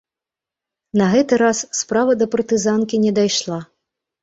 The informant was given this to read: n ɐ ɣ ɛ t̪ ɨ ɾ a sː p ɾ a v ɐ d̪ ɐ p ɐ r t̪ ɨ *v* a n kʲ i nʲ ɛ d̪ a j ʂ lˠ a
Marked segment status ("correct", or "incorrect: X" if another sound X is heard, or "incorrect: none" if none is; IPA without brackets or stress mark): incorrect: z